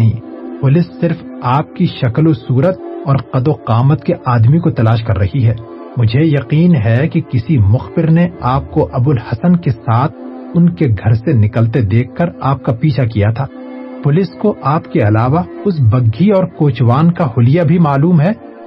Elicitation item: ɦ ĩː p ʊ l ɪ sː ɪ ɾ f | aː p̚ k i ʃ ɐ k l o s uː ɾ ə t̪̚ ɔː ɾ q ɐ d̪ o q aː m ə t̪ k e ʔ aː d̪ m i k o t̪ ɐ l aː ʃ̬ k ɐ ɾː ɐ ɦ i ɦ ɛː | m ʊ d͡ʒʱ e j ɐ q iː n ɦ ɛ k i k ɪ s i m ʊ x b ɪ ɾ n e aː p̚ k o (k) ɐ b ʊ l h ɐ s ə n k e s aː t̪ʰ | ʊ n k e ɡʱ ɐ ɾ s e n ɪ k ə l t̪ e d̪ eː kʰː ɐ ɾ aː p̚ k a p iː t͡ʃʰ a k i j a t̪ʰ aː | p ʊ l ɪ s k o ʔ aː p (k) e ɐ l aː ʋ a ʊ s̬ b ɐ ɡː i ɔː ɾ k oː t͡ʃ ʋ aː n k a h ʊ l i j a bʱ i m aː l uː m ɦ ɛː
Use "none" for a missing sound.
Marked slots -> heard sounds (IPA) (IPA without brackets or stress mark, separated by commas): ʔ, k